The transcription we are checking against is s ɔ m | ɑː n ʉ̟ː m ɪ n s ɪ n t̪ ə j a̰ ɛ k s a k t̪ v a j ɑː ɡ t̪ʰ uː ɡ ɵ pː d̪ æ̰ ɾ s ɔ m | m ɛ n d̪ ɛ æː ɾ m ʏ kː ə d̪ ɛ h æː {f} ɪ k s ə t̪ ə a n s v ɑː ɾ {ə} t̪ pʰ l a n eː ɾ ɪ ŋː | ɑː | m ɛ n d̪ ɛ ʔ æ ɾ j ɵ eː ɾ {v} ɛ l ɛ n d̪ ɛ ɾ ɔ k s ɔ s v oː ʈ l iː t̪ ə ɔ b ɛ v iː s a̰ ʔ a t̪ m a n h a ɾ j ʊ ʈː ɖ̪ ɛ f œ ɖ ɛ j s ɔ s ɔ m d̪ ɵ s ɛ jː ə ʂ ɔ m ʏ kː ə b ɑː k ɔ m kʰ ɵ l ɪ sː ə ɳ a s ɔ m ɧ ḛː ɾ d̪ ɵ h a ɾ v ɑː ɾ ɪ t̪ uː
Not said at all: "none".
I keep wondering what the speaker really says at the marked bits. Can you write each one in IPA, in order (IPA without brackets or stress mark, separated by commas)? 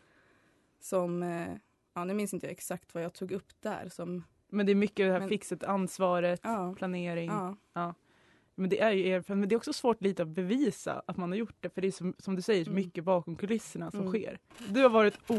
f, ə, f